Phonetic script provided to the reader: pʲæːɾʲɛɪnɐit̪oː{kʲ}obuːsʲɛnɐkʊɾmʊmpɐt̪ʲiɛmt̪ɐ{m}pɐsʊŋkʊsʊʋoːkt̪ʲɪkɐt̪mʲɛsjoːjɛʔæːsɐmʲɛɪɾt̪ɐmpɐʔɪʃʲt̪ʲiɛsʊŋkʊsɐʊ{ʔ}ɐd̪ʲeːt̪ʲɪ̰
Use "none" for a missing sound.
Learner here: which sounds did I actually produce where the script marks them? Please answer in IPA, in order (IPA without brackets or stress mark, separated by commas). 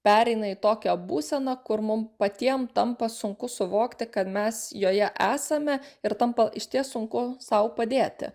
kʲ, m, p